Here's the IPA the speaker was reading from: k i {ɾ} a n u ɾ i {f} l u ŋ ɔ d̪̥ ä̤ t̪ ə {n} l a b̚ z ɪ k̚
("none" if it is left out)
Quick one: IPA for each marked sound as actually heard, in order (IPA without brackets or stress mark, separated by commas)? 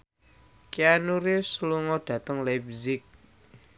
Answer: none, s, ŋ